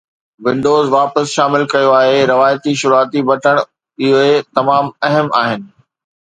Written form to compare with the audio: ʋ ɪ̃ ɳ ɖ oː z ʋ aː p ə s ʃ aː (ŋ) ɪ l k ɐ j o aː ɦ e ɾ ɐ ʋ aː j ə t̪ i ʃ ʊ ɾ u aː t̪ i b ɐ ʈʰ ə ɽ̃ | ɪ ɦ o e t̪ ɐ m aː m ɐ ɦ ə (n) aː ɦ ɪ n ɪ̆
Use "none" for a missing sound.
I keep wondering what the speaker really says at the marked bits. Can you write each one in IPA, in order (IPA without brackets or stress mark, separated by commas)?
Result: m, m